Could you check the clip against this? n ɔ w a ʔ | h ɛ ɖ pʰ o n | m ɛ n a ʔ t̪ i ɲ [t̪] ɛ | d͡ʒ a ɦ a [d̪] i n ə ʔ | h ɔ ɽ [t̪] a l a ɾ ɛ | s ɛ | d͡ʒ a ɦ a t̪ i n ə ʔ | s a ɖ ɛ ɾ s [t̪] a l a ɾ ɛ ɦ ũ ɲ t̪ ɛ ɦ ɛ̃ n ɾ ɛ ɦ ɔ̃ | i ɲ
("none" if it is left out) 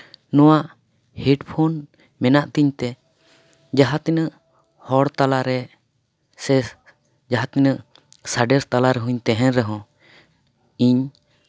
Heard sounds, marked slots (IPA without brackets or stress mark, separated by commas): t̪, t̪, t̪, t̪